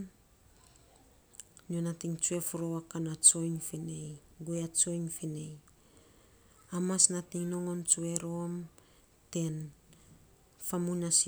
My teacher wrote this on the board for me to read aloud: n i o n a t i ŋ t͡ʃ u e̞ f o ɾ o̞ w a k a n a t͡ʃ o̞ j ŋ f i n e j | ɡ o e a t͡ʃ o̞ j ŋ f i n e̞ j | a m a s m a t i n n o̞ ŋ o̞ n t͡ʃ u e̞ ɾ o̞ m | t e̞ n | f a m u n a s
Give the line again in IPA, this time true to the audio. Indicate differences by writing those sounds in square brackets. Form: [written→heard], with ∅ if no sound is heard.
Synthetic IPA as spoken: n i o n a t i ŋ t͡ʃ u e̞ f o ɾ o̞ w a k a n a t͡ʃ o̞ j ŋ f i n e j | ɡ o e a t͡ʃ o̞ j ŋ f i n e̞ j | a m a s [m→n] a t i [n→ŋ] n o̞ ŋ o̞ n t͡ʃ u e̞ ɾ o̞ m | t e̞ n | f a m u n a s

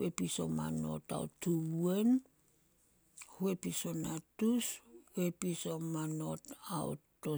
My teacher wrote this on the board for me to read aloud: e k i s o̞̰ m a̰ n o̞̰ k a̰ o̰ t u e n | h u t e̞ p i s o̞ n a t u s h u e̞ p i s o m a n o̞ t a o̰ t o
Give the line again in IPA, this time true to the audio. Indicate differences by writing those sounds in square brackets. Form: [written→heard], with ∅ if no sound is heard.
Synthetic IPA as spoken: e [k→p] i s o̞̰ m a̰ n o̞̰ [k→t] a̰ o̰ t u e n | h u [t→∅] e̞ p i s o̞ n a t u s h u e̞ p i s o m a n o̞ t a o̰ t o

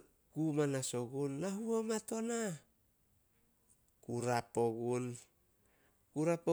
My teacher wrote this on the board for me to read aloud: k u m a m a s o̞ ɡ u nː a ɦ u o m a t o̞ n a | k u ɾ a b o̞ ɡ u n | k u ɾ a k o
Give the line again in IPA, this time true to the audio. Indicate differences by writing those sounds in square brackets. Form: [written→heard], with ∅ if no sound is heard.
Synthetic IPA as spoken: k u m a [m→n] a s o̞ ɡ u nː a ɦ u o m a t o̞ n a | k u ɾ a [b→p] o̞ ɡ u n | k u ɾ a [k→p] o

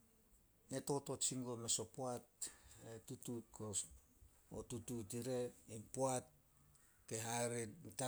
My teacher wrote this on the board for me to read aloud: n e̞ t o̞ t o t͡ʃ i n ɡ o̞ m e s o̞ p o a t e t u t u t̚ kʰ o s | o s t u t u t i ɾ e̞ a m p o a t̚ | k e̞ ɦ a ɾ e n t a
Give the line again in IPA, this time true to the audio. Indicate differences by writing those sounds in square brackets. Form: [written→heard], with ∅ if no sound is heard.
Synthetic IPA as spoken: n e̞ t o̞ t o t͡ʃ i [n→ŋ] ɡ o̞ m e s o̞ p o a t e t u t u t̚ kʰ o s | o [s→∅] t u t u t i ɾ e̞ [a→i] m p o a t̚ | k e̞ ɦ a ɾ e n t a

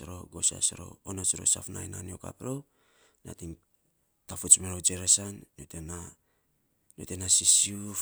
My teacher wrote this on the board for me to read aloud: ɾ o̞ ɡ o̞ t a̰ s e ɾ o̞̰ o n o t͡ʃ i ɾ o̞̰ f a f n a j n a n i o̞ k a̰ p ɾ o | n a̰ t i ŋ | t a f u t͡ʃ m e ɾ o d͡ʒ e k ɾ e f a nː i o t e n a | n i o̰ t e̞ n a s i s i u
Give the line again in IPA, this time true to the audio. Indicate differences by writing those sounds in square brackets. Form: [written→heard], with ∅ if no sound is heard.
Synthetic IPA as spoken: ɾ o̞ ɡ o̞ [t→s] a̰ s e ɾ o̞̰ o n o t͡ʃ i ɾ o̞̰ [f→s] a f n a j n a n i o̞ k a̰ p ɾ o | n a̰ t i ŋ | t a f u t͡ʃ m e ɾ o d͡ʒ e [k→∅] ɾ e [f→s] a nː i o t e n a | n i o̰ t e̞ n a s i s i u

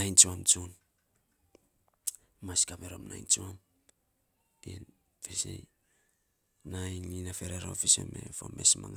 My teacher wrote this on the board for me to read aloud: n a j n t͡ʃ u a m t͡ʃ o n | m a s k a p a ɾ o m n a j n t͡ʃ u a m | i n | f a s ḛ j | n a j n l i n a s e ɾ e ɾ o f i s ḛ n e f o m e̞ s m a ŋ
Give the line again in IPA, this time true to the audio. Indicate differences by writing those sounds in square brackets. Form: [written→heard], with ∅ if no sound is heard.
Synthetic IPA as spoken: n a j n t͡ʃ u a m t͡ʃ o n | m a s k a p [a→e] ɾ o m n a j n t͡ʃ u a m | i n | f [a→e] s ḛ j | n a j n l i n a [s→f] e ɾ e ɾ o f i s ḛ [n→m] e f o m e̞ s m a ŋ

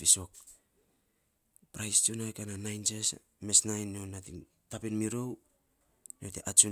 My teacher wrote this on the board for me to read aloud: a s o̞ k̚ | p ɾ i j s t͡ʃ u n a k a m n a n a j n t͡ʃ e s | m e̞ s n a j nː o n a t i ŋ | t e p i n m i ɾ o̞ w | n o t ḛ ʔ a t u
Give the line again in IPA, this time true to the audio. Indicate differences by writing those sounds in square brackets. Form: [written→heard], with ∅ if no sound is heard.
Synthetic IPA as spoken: [a→i] s o̞ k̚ | p ɾ [i→a] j s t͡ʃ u n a k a [m→∅] n a n a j n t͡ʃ e s | m e̞ s n a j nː o n a t i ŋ | t [e→a] p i n m i ɾ o̞ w | n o t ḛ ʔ a [t→t͡ʃ] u

